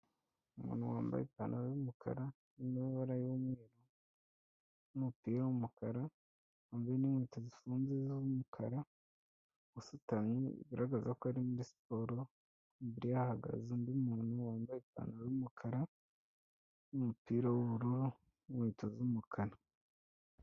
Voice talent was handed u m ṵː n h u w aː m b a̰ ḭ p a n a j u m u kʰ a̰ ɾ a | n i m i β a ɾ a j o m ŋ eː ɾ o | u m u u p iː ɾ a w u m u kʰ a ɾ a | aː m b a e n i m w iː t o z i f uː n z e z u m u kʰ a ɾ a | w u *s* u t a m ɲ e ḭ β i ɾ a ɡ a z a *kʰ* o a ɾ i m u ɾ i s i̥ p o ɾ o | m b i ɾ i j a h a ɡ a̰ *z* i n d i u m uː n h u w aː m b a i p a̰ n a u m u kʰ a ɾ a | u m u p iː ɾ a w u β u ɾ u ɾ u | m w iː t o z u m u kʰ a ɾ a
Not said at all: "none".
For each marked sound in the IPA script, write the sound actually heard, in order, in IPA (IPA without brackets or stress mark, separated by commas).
s, k, z